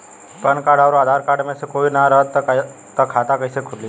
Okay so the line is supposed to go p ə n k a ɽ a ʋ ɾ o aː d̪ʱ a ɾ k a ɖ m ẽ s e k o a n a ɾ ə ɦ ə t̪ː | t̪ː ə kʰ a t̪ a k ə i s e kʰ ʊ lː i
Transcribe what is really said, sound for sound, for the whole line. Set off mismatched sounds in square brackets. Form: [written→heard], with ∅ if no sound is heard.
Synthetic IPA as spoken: p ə n k a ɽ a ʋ ɾ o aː d̪ʱ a ɾ k a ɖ m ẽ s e k o [a→i] n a ɾ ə ɦ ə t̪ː | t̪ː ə kʰ a t̪ a k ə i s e kʰ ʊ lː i